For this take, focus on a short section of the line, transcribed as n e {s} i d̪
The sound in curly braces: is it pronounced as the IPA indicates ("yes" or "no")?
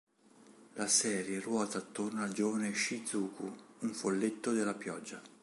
no